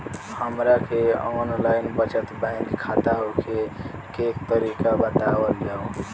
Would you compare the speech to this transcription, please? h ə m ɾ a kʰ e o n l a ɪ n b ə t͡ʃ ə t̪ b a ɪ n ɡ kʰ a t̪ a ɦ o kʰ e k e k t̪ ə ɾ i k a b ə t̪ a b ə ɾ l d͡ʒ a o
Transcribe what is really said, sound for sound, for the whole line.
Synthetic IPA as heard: h ə m ɾ a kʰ e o n l a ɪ n b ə t͡ʃ ə t̪ b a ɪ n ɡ kʰ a t̪ a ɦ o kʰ e k e k t̪ ə ɾ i k a b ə t̪ a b ə l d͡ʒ a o